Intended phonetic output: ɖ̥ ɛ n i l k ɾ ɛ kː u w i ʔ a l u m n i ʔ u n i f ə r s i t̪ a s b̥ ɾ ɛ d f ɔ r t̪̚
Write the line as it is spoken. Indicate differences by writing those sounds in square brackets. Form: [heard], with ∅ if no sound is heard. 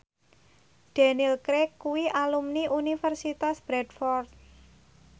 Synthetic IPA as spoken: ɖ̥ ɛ n i l k ɾ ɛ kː u w i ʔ a l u m n i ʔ u n i f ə r s i t̪ a s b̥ ɾ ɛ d f ɔ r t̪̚